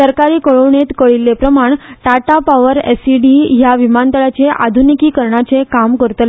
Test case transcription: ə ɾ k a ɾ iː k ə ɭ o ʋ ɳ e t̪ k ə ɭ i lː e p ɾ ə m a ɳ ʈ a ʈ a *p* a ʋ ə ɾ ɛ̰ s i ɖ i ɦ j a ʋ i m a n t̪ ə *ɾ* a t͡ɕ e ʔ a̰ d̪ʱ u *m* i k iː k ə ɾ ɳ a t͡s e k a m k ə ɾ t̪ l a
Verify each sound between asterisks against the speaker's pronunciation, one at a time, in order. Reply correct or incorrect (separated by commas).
correct, incorrect, incorrect